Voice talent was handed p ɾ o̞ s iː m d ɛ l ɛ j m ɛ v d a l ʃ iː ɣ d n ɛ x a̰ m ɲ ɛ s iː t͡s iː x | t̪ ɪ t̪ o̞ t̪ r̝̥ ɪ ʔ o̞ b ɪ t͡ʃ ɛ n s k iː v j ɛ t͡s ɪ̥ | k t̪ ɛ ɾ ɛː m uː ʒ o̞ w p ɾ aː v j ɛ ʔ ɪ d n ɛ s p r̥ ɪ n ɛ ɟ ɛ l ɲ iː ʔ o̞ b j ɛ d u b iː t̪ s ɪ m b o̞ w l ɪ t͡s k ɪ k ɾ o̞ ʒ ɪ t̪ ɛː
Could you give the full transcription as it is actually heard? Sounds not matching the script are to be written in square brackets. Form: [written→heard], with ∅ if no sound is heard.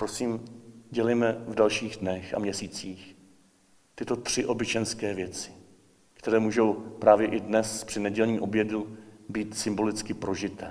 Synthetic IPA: p ɾ o̞ s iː m [d→ɟ] ɛ l ɛ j m ɛ v d a l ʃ iː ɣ d n ɛ x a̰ m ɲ ɛ s iː t͡s iː x | t̪ ɪ t̪ o̞ t̪ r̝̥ ɪ ʔ o̞ b ɪ t͡ʃ ɛ n s k [iː→ɛː] v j ɛ t͡s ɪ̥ | k t̪ ɛ ɾ ɛː m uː ʒ o̞ w p ɾ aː v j ɛ ʔ ɪ d n ɛ s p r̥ ɪ n ɛ ɟ ɛ l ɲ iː ʔ o̞ b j ɛ d u b iː t̪ s ɪ m b o̞ [w→∅] l ɪ t͡s k ɪ [k→p] ɾ o̞ ʒ ɪ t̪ ɛː